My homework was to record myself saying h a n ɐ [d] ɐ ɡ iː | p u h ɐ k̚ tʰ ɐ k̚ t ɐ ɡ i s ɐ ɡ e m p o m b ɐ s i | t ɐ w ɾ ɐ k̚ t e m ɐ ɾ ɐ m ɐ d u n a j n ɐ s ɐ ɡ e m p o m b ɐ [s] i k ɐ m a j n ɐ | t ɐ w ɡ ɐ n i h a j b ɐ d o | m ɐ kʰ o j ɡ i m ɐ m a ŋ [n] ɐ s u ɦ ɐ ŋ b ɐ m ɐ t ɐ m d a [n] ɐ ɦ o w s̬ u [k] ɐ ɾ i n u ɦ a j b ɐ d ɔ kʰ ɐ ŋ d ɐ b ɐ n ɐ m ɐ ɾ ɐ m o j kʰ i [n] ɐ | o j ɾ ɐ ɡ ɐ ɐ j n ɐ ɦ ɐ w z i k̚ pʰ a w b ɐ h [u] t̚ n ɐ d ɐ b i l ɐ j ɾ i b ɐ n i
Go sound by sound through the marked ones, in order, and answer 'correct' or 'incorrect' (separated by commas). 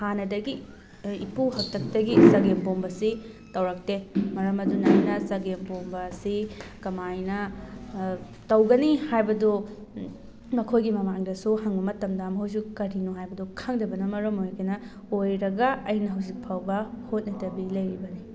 correct, correct, incorrect, incorrect, correct, correct, incorrect